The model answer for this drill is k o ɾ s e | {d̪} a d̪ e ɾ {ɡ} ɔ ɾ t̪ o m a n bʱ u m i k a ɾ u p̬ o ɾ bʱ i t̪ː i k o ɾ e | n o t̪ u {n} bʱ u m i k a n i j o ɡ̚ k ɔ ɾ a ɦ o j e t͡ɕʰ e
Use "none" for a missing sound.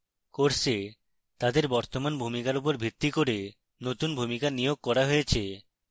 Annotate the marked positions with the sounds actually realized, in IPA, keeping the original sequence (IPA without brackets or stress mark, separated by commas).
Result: t̪, b, n